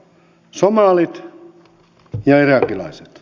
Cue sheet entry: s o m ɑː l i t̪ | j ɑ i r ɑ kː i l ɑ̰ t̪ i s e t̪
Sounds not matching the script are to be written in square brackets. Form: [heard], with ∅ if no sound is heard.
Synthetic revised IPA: s o m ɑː l i t̪ | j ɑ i r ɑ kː i l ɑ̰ [∅] i s e t̪